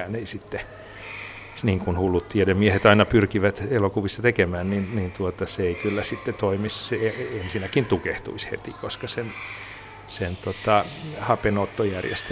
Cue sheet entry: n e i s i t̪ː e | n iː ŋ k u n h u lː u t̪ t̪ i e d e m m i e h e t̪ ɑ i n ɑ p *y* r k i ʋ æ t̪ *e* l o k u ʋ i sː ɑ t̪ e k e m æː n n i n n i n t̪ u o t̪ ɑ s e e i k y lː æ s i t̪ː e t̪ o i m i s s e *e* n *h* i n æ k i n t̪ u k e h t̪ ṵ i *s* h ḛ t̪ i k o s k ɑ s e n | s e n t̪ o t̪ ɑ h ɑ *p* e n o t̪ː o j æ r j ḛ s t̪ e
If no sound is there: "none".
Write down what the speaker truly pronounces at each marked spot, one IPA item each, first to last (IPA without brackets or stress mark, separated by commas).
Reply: y, e, e, s, s, p